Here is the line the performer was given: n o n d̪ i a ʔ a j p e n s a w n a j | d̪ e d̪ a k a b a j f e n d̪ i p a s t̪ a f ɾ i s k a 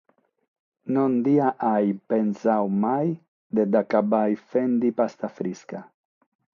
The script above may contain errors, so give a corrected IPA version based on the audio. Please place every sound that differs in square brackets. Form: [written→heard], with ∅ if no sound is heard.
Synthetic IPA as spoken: n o n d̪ i a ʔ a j p e n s a w [n→m] a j | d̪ e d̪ a k a b a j f e n d̪ i p a s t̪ a f ɾ i s k a